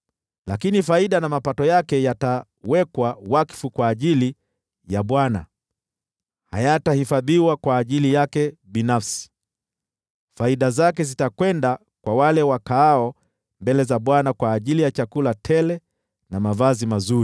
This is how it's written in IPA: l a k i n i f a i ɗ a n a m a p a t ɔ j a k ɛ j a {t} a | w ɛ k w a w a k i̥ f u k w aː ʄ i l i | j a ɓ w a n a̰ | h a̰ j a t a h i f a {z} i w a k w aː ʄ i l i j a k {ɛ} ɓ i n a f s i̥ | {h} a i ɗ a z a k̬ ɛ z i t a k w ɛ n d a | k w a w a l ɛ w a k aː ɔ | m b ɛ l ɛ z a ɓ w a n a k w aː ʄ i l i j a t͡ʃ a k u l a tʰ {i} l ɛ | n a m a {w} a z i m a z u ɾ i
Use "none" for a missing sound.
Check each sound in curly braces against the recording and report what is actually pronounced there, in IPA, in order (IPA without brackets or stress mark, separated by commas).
t, ð, ɛ, f, ɛ, v